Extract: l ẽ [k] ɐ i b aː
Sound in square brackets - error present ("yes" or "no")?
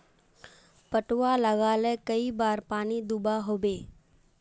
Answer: no